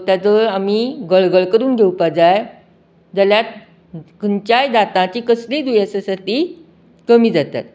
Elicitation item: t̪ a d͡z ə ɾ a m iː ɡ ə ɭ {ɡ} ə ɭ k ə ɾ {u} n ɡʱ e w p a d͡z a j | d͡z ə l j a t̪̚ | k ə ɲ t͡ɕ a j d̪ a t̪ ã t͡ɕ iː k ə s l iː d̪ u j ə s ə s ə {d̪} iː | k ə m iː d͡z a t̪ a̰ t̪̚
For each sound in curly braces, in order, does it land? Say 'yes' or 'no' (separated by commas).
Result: yes, no, no